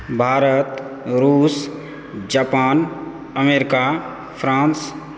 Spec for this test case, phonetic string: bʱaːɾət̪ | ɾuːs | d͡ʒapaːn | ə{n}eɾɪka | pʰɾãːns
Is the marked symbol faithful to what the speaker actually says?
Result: no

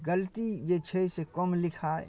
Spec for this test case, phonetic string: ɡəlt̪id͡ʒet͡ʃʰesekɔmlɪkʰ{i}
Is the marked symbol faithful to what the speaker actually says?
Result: no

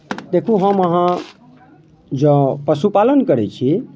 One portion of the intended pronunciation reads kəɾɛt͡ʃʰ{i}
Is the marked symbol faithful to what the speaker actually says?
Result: yes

